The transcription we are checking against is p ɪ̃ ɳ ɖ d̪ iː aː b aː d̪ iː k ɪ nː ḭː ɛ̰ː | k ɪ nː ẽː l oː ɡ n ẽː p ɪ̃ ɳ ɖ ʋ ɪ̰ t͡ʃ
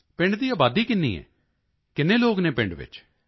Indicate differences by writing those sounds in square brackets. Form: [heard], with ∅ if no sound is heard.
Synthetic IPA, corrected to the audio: p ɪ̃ ɳ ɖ d̪ iː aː b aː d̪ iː k ɪ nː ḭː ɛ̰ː | k ɪ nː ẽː l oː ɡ n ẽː p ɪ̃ ɳ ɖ ʋ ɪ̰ t͡ʃ